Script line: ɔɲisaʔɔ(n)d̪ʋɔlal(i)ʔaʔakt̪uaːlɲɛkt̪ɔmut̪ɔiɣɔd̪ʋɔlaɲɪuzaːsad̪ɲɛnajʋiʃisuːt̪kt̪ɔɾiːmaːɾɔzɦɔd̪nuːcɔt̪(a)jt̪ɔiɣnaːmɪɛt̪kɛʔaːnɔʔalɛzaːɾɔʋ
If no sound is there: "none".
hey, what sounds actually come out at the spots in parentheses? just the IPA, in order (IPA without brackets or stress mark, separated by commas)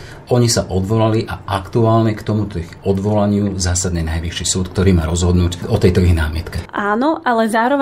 none, i, ɛ